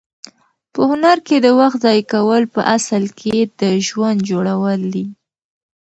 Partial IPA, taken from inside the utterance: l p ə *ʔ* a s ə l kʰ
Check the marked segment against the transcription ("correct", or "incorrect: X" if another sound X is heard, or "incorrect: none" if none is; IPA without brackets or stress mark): correct